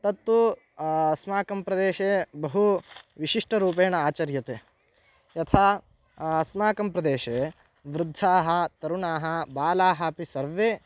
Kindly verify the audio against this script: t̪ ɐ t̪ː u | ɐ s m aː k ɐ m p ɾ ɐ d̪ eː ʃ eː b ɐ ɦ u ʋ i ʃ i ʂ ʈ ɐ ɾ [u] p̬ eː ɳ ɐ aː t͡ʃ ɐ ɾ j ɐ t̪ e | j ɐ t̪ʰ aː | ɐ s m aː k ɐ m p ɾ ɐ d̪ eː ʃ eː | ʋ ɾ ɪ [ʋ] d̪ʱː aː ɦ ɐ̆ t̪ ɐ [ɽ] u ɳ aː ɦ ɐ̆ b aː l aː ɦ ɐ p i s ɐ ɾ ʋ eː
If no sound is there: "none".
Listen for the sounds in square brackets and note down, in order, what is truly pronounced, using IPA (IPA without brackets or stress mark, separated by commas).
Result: uː, none, ɾ